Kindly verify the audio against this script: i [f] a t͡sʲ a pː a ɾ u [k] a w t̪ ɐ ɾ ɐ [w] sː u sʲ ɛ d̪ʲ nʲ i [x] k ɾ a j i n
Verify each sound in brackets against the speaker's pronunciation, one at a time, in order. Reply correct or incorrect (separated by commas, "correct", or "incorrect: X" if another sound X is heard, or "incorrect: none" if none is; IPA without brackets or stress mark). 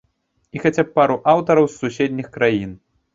incorrect: x, incorrect: ʔ, correct, correct